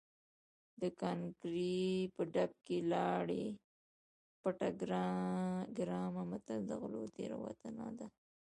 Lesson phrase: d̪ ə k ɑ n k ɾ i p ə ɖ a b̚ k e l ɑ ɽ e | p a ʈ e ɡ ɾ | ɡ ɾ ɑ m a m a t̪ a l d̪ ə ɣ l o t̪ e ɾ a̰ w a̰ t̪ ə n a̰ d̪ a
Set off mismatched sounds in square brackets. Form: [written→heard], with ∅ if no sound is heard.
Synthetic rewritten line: d̪ ə k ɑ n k ɾ i p ə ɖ a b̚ k e l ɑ ɽ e | p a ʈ [e→a] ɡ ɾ | ɡ ɾ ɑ m a m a t̪ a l d̪ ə ɣ l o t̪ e ɾ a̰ w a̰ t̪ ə n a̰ d̪ a